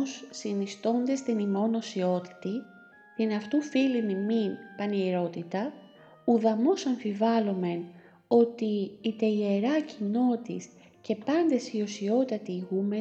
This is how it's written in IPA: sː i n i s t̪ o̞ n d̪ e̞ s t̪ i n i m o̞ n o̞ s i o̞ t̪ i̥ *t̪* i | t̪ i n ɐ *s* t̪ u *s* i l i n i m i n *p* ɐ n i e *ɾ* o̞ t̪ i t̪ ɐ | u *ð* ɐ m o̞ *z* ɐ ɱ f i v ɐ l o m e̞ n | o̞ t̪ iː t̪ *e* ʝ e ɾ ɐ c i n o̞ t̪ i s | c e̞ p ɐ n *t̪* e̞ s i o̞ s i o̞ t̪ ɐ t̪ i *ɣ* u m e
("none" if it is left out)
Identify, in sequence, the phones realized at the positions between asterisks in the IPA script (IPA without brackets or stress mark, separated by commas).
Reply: t̪, f, f, p, ɾ, ð, s, e, d̪, ɣ